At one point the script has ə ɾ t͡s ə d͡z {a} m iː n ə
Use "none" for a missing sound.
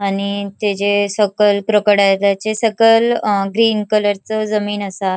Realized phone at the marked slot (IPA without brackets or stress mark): ə